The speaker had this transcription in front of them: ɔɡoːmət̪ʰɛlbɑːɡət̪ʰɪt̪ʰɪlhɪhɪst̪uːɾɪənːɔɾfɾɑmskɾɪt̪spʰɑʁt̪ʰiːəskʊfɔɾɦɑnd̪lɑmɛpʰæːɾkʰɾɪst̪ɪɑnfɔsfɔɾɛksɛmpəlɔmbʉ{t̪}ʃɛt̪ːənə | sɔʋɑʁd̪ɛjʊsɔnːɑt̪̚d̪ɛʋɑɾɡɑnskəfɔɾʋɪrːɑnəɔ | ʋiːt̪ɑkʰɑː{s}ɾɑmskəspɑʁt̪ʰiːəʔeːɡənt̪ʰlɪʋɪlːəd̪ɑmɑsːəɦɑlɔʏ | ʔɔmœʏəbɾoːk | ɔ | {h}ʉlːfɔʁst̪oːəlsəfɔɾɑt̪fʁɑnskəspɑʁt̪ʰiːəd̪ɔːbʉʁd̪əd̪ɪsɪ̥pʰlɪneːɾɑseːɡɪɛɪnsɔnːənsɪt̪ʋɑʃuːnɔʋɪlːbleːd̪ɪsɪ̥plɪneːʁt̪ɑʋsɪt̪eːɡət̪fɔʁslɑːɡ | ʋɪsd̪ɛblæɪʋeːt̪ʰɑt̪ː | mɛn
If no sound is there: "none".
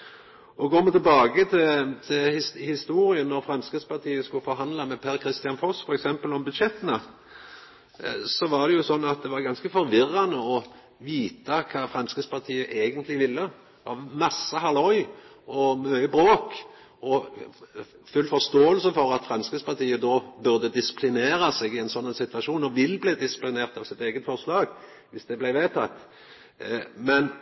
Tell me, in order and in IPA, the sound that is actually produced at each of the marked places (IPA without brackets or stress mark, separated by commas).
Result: d̪, f, f